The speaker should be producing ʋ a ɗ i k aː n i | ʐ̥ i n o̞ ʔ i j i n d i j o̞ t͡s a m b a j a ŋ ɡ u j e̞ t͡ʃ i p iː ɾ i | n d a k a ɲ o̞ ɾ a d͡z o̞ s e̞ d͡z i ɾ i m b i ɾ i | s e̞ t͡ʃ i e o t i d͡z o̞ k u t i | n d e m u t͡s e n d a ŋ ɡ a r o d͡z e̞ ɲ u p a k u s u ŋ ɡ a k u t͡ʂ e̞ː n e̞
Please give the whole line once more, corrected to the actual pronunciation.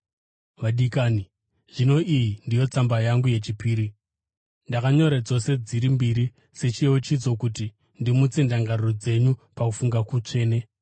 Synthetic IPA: ʋ a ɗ i k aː n i | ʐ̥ i n o̞ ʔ i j i n d i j o̞ t͡s a m b a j a ŋ ɡ u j e̞ t͡ʃ i p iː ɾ i | n d a k a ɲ o̞ ɾ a d͡z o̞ s e̞ d͡z i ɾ i m b i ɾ i | s e̞ t͡ʃ i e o t͡ʃ i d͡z o̞ k u t i | n d i m u t͡s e n d a ŋ ɡ a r o d͡z e̞ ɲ u p a k u f u ŋ ɡ a k u t͡ʂ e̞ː n e̞

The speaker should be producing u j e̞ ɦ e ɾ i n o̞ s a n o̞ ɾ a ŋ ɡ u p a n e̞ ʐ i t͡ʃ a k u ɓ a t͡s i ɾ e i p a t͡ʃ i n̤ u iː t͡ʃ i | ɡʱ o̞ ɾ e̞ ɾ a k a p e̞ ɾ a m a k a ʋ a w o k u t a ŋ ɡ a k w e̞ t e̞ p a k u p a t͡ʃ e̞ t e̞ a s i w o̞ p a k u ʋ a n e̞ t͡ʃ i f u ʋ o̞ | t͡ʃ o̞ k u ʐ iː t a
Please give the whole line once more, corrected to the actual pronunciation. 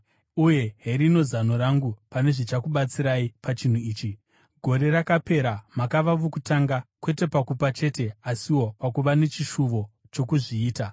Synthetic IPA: u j e̞ ɦ e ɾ i n o̞ z a n o̞ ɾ a ŋ ɡ u p a n e̞ ʐ i t͡ʃ a k u ɓ a t͡s i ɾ a i p a t͡ʃ i n̤ u iː t͡ʃ i | ɡʱ o̞ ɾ e̞ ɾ a k a p e̞ ɾ a m a k a ʋ a ʋ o k u t a ŋ ɡ a k w e̞ t e̞ p a k u p a t͡ʃ e̞ t e̞ a s i w o̞ p a k u ʋ a n e̞ t͡ʃ i ʃ u ʋ o̞ | t͡ʃ o̞ k u ʐ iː t a

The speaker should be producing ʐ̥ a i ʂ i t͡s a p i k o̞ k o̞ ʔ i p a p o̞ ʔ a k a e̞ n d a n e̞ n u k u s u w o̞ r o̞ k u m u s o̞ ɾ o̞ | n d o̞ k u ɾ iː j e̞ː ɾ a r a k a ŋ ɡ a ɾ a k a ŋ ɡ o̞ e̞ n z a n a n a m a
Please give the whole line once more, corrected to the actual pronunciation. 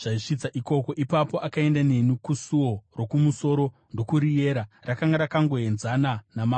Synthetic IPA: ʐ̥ a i ʂ i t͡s a ʔ i k o̞ k o̞ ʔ i p a p o̞ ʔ a k a e̞ n d a n e̞ n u k u s u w o̞ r o̞ k u m u s o̞ ɾ o̞ | n d o̞ k u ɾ i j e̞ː ɾ a r a k a ŋ ɡ a ɾ a k a ŋ ɡ o̞ e̞ n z a n a n a m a

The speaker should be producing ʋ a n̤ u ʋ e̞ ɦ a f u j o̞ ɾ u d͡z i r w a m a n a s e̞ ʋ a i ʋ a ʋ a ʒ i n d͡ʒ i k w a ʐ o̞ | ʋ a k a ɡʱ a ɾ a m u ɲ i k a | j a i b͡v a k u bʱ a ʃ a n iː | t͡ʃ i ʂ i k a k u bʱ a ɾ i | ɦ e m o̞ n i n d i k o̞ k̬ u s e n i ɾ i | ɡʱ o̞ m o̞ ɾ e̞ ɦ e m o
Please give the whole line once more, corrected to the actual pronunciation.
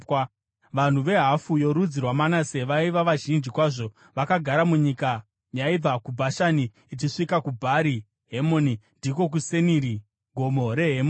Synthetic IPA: ʋ a n̤ u ʋ e̞ ɦ a f u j o̞ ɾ u d͡z i r w a m a n a s e̞ ʋ a i ʋ a ʋ a ʒ i n d͡ʒ i k w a ʐ o̞ | ʋ a k a ɡʱ a ɾ a m u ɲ i k a | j a i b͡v a k u bʱ a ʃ a n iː | t͡ʃ i ʂ i k a k u bʱ a ɾ i | ɦ e m o̞ n i n d i k o̞ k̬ u s e n i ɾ i | ɡʱ o̞ m o̞ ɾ e̞ ɦ e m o

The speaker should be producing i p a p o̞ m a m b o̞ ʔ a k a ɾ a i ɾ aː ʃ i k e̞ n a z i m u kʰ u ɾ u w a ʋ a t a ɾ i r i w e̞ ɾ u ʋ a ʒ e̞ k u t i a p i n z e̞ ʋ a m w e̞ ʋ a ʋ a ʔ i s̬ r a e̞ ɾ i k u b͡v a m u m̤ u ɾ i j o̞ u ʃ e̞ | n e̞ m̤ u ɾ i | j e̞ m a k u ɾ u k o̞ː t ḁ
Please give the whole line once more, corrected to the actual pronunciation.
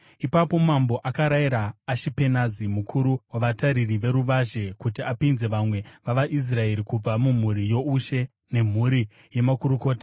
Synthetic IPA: i p a p o̞ m a m b o̞ ʔ a k a ɾ a i ɾ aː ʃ i p e̞ n a z i m u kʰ u ɾ u w a ʋ a t a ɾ i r i ʋ e̞ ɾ u ʋ a ʒ e̞ k u t i a p i n z e̞ ʋ a m w e̞ ʋ a ʋ a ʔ i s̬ r a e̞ ɾ i k u b͡v a m u m̤ u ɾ i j o̞ u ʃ e̞ | n e̞ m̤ u ɾ i | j e̞ m a k u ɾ u k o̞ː t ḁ

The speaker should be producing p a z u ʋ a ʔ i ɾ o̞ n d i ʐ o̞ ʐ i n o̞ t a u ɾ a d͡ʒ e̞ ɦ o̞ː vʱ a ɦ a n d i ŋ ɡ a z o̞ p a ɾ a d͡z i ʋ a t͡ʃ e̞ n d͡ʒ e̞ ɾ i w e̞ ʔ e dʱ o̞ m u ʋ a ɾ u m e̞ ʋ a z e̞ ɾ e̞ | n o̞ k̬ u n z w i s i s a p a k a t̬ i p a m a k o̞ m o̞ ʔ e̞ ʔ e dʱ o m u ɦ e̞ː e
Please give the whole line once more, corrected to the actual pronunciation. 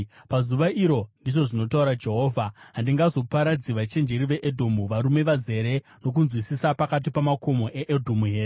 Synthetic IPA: p a z u ʋ a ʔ i ɾ o̞ n d i ʐ o̞ ʐ i n o̞ t a u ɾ a d͡ʒ e̞ ɦ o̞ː vʱ a ɦ a n d i ŋ ɡ a z o̞ p a ɾ a d͡z i ʋ a t͡ʃ e̞ n d͡ʒ e̞ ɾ i ʋ e̞ ʔ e dʱ o̞ m u ʋ a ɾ u m e̞ ʋ a z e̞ ɾ e̞ | n o̞ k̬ u n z w i s i s a p a k a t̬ i p a m a k o̞ m o̞ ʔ e̞ ʔ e dʱ o m u ɦ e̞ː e

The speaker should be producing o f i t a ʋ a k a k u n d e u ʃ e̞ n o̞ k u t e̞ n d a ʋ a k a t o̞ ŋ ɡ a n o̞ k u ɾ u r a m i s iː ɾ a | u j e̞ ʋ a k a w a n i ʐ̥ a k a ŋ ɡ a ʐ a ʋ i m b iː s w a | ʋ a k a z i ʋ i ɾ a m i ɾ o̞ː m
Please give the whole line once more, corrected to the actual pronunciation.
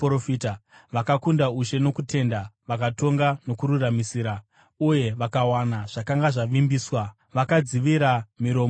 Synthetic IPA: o f i t a ʋ a k a k u n d a u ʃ e̞ n o̞ k u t e̞ n d a ʋ a k a t o̞ ŋ ɡ a n o̞ k u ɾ u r a m i s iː ɾ a | u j e̞ ʋ a k a w a n a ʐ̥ a k a ŋ ɡ a ʐ a ʋ i m b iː s w a | ʋ a k a d͡z i ʋ i ɾ a m i ɾ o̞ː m

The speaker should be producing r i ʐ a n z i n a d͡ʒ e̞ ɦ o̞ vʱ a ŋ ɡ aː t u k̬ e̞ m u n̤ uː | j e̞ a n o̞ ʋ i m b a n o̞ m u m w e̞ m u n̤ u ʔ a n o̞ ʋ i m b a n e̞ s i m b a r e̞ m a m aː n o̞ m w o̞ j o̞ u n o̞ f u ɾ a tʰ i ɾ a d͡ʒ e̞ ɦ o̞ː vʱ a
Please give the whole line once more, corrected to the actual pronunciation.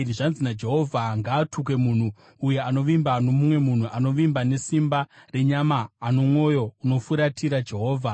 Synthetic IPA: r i ʐ a n z i n a d͡ʒ e̞ ɦ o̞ vʱ a ŋ ɡ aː t u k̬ e̞ m u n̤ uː | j e̞ a n o̞ ʋ i m b a n o̞ m u m w e̞ m u n̤ u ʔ a n o̞ ʋ i m b a n e̞ s i m b a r e̞ ɲ a m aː n o̞ m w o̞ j o̞ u n o̞ f u ɾ a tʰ i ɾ a d͡ʒ e̞ ɦ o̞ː vʱ a

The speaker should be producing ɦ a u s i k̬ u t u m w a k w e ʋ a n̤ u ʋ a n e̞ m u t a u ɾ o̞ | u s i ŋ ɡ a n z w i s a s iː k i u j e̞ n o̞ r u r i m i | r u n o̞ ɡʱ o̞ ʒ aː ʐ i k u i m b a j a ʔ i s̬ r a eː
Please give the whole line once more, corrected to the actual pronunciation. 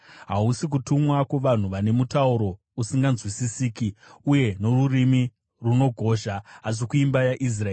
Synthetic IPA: ɦ a u s i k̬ u t u m w a k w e ʋ a n̤ u ʋ a n e̞ m u t a u ɾ o̞ | u s i ŋ ɡ a n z w i s i s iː k i u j e̞ n o̞ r u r i m i | r u n o̞ ɡʱ o̞ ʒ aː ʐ i k u i m b a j a ʔ i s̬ r a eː

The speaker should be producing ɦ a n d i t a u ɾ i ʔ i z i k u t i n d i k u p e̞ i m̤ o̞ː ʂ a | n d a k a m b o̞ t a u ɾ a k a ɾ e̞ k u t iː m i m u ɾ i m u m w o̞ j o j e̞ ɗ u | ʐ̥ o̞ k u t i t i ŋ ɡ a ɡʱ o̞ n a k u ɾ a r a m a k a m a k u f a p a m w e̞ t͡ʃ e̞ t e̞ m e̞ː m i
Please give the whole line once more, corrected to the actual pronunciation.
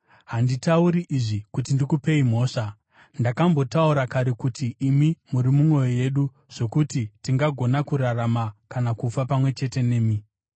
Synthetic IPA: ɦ a n d i t a u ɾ i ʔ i ʐ i k u t i n d i k u p e̞ i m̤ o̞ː ʂ a | n d a k a m b o̞ t a u ɾ a k a ɾ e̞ k u t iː m i m u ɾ i m u m w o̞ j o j e̞ ɗ u | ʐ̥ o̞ k u t i t i ŋ ɡ a ɡʱ o̞ n a k u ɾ a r a m a k a n a k u f a p a m w e̞ t͡ʃ e̞ t e̞ n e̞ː m i

